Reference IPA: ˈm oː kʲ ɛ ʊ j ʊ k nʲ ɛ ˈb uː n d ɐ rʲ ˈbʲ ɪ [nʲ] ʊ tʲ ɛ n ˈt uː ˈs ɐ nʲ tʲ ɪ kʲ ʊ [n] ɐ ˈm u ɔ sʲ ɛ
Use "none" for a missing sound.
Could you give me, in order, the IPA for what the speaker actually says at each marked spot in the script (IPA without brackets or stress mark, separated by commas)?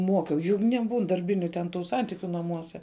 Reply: nʲ, n